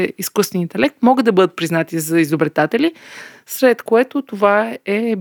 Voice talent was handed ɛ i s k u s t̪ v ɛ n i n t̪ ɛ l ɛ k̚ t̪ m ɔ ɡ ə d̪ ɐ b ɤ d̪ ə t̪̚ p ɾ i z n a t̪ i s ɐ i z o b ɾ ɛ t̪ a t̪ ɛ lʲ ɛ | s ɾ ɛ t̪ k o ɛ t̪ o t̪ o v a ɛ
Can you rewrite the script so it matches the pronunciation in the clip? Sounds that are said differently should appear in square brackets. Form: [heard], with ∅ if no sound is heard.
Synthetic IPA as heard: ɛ i s k u s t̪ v ɛ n i n t̪ ɛ l ɛ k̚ t̪ m ɔ ɡ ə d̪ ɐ b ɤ d̪ ə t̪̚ p ɾ i z n a t̪ i [z] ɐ i z o b ɾ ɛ t̪ a t̪ ɛ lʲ [i] | s ɾ ɛ t̪ k o ɛ t̪ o t̪ o v a ɛ